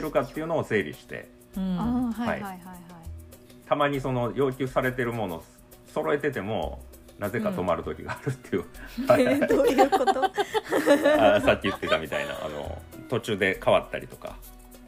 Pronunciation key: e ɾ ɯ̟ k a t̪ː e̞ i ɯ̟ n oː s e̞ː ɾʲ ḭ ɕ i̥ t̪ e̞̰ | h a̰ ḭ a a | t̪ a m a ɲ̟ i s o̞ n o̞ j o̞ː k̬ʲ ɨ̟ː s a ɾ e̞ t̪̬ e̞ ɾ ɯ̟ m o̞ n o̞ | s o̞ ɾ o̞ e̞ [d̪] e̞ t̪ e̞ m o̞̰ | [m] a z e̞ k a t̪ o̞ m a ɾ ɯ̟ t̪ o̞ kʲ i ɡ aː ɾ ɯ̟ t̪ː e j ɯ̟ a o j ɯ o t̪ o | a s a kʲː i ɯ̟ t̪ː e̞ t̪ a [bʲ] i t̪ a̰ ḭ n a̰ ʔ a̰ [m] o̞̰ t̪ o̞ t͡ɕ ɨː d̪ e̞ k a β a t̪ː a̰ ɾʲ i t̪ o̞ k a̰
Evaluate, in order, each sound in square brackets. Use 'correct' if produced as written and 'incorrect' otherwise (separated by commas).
incorrect, incorrect, incorrect, incorrect